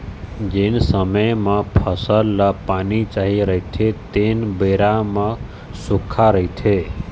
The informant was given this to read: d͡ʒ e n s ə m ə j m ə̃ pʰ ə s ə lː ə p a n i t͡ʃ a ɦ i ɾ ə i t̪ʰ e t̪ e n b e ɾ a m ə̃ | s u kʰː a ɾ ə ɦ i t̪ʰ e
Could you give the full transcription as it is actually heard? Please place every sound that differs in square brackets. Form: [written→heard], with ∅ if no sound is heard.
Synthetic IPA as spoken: d͡ʒ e n s ə m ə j m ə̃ pʰ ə s ə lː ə p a n i t͡ʃ a ɦ i ɾ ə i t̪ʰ e t̪ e n b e ɾ a m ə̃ | s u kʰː a ɾ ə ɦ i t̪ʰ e